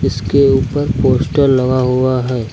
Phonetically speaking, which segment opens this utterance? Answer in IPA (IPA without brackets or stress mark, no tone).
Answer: ɪ